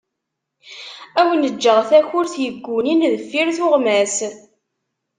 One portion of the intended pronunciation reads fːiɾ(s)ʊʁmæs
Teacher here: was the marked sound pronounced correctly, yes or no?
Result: no